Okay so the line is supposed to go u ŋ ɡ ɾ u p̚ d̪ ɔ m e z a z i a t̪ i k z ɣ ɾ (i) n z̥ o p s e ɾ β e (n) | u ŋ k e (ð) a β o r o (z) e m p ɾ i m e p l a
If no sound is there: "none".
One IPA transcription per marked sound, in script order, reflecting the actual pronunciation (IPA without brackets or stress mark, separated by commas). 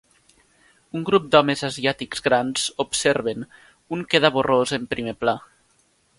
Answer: a, n, ð, z